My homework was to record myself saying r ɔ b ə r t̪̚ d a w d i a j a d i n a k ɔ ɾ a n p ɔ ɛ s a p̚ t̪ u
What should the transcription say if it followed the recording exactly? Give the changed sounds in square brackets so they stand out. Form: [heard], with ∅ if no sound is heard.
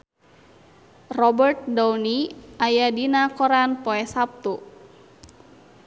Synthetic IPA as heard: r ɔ b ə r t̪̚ d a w [n] i a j a d i n a k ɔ ɾ a n p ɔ ɛ s a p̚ t̪ u